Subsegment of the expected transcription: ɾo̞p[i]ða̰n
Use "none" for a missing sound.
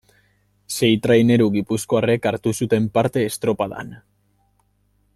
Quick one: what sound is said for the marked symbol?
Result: a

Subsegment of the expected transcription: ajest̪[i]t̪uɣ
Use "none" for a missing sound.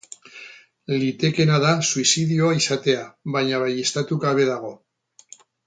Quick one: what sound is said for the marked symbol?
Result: a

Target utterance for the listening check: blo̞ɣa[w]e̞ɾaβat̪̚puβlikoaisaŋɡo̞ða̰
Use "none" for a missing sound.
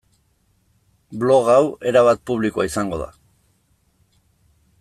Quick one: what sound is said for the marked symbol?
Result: w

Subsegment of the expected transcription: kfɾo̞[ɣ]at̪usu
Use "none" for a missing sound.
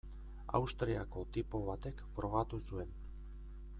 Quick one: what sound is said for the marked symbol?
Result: ɣ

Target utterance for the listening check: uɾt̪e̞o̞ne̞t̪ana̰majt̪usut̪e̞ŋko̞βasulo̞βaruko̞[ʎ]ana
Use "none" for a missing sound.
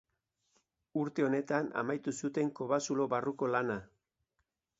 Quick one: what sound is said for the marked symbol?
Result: l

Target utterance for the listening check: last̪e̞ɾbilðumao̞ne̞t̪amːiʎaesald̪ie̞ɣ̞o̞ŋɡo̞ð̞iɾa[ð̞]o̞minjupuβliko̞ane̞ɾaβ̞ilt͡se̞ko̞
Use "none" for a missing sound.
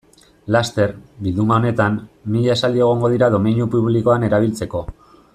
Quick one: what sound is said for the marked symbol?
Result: ð̞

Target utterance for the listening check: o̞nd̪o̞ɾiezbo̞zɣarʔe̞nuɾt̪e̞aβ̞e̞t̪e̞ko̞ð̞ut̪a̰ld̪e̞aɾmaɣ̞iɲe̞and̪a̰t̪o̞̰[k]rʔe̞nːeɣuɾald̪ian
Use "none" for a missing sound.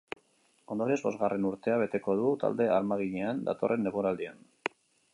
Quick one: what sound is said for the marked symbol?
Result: none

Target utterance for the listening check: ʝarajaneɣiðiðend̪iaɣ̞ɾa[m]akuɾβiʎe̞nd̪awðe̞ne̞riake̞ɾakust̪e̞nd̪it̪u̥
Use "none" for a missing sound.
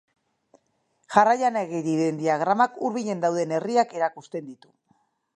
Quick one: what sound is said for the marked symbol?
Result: m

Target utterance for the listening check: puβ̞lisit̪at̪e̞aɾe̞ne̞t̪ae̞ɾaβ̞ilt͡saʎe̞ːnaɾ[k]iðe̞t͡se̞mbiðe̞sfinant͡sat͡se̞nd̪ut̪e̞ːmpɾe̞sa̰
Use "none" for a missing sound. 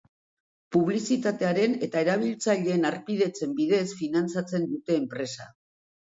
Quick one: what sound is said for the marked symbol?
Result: p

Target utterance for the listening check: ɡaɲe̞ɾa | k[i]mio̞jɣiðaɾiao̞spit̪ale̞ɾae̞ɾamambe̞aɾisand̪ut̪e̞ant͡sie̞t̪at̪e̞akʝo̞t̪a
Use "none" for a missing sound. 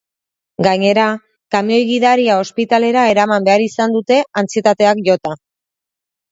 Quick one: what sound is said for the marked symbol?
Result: a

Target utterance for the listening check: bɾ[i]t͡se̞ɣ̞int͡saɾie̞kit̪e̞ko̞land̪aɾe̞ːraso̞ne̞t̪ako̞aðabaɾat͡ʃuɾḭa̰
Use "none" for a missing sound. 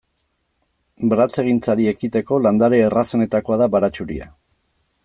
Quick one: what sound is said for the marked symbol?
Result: a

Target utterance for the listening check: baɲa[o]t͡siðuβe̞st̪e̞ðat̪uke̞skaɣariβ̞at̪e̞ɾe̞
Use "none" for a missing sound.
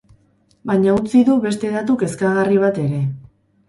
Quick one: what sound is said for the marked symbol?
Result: u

